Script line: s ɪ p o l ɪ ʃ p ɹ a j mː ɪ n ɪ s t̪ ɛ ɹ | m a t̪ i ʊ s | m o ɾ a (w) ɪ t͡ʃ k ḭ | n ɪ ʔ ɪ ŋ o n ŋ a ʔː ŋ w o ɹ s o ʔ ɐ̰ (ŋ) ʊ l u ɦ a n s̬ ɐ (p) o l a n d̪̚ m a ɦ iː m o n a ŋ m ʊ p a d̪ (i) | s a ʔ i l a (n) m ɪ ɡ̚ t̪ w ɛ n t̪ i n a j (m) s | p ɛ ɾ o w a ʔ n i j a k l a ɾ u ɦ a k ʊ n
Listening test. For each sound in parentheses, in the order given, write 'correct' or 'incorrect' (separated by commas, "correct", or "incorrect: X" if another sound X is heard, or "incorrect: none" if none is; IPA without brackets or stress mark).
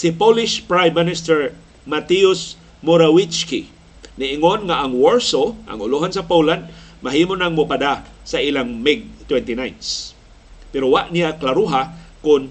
correct, correct, correct, incorrect: a, incorrect: ŋ, incorrect: n